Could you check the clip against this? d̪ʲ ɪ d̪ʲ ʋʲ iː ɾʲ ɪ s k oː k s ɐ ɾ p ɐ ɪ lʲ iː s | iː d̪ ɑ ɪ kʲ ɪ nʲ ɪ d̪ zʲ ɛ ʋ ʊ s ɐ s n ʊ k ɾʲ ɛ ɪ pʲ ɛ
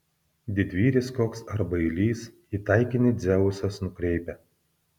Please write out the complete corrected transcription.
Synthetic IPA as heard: d̪ʲ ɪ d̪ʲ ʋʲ iː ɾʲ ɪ s k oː k s ɐ ɾ b ɐ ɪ lʲ iː s | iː t̪ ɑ ɪ kʲ ɪ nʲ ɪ d̪ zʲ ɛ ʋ ʊ s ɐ s n ʊ k ɾʲ ɛ ɪ pʲ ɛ